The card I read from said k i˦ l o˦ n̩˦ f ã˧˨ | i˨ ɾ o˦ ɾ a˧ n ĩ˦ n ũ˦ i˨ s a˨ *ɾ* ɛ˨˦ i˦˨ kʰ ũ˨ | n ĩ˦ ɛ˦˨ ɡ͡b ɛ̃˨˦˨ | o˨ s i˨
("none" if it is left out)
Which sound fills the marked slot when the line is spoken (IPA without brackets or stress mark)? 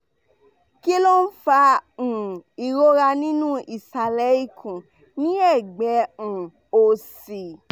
l